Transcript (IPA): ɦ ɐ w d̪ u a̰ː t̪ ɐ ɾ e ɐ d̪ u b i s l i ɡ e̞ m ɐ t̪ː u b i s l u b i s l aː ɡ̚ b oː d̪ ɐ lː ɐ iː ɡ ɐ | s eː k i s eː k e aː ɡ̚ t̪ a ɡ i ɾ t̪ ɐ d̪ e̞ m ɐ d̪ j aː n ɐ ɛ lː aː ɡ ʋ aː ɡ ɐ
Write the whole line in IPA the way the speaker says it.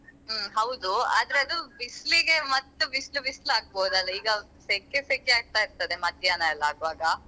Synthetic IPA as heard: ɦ ɐ w d̪ u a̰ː d̪ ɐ ɾ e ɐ d̪ u b i s l i ɡ e̞ m ɐ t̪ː u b i s l u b i s l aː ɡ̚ b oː d̪ ɐ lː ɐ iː ɡ ɐ | s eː k e s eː k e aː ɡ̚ t̪ a i ɾ t̪ ɐ d̪ e̞ m ɐ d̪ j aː n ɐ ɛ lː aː ɡ ʋ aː ɡ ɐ

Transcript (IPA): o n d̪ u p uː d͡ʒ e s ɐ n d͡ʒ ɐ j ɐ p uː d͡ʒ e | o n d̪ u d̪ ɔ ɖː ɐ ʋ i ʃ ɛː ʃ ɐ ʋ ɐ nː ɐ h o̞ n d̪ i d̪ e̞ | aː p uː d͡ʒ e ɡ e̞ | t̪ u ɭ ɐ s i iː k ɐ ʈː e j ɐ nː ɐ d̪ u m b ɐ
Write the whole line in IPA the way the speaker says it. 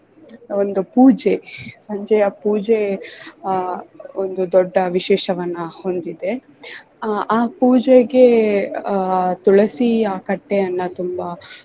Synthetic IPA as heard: o n d̪ u p uː d͡ʒ e s ɐ ɲ d͡ʒ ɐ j ɐ p uː d͡ʒ e | o n d̪ u d̪ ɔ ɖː ɐ ʋ i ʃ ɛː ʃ ɐ ʋ ɐ nː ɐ h o̞ n d̪ i d̪ e̞ | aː p uː d͡ʒ e ɡ e̞ | t̪ u ɭ ɐ s i aː k ɐ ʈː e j ɐ nː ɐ t̪ u m b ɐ

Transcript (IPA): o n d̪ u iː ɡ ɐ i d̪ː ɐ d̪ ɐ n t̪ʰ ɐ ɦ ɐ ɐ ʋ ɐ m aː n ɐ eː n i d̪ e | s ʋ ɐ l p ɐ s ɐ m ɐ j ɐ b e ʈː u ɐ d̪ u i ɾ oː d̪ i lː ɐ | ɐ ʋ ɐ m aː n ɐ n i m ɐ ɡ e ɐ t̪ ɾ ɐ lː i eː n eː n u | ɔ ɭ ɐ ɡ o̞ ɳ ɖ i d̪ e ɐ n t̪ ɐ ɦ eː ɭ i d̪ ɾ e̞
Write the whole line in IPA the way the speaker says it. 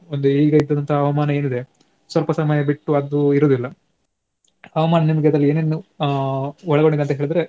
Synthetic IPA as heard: o n d̪ u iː ɡ ɐ i d̪ː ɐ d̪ ɐ n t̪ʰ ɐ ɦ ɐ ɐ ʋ ɐ m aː n ɐ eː n i d̪ e | s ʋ ɐ l p ɐ s ɐ m ɐ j ɐ b i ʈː u ɐ d̪ u i ɾ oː d̪ i lː ɐ | ɐ ʋ ɐ m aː n ɐ n i m ɐ ɡ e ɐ d̪ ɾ ɐ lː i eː n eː n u | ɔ ɭ ɐ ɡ o̞ ɳ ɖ i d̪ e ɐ n t̪ ɐ ɦ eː ɭ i d̪ ɾ e̞

